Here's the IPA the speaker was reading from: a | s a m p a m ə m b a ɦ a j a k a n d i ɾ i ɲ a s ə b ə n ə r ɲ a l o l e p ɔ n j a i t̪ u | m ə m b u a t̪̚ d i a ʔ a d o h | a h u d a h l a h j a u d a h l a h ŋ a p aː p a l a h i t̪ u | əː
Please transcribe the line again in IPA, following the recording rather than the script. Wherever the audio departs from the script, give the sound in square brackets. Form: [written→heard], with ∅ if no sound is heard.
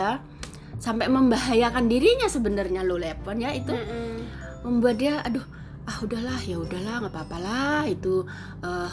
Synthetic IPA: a | s a m p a m ə m b a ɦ a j a k a n d i ɾ i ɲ a s ə b ə n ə r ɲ a l o l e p ɔ n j a i t̪ u | m ə m b u a t̪̚ d i a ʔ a d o h | a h u d a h l a h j a u d a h l a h ŋ a p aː p a l a h i t̪ u | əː